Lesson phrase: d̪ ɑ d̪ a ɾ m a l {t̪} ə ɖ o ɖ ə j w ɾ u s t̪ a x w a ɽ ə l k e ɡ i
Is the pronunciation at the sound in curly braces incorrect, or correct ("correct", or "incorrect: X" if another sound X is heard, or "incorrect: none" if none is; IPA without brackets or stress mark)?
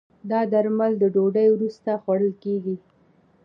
incorrect: d̪